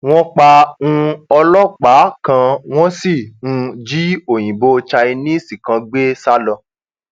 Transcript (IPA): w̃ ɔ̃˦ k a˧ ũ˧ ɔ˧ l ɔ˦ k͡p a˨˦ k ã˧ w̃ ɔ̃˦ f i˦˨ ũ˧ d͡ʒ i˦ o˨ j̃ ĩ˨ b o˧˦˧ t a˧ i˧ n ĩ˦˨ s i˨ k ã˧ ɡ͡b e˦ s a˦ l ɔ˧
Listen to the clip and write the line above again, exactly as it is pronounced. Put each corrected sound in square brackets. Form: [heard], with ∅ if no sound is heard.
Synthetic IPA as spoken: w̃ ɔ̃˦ [k͡p] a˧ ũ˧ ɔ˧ l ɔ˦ k͡p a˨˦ k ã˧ w̃ ɔ̃˦ [s] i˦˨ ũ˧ d͡ʒ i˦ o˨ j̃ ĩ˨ b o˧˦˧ [t͡ʃ] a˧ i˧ n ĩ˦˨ s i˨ k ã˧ ɡ͡b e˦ s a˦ l ɔ˧

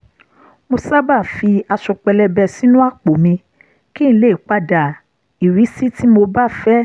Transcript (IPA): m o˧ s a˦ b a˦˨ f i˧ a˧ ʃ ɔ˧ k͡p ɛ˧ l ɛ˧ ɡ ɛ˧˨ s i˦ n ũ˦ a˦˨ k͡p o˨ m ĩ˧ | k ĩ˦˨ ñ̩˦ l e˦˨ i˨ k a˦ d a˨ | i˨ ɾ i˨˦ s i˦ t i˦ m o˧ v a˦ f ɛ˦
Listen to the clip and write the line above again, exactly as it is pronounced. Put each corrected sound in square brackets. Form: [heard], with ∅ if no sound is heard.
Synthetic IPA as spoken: m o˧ s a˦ b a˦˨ f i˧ a˧ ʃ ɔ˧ k͡p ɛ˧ l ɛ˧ [b] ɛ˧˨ s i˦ n ũ˦ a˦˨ k͡p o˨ m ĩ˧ | k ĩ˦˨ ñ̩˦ l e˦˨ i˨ [k͡p] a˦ d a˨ | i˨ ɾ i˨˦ s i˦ t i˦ m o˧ [b] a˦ f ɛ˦

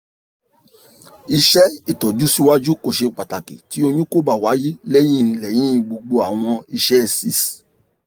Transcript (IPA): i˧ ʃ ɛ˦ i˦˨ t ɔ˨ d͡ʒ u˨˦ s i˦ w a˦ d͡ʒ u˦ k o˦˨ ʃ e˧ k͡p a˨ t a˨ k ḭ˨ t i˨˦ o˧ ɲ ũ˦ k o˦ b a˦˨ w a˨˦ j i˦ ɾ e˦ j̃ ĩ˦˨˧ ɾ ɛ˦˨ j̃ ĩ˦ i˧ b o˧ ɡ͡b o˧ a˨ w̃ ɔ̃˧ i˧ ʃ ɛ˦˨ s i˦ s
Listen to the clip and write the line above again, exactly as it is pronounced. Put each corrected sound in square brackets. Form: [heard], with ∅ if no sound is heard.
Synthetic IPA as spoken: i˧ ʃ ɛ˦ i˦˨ t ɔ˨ d͡ʒ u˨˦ s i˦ w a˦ d͡ʒ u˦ k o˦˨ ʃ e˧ k͡p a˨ t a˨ k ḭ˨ t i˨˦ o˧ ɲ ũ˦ k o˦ b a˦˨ w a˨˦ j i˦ [l] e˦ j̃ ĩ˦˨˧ [l] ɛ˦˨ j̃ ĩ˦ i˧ [ɡ͡b] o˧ ɡ͡b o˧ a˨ w̃ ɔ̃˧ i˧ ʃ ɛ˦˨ s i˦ s

